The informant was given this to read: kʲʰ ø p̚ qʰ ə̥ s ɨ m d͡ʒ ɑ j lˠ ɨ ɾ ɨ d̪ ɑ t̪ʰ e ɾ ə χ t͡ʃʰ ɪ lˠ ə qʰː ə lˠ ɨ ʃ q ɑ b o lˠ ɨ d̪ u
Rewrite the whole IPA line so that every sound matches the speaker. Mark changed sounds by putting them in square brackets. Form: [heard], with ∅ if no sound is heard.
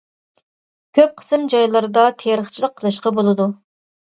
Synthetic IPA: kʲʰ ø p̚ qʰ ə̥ s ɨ m d͡ʒ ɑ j lˠ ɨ ɾ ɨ d̪ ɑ t̪ʰ e ɾ ə χ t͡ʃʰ [i] lˠ ə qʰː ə lˠ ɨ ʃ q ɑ b o lˠ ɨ d̪ u